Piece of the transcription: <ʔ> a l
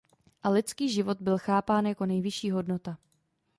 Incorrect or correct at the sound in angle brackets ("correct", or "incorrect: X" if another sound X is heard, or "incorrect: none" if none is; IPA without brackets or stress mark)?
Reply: correct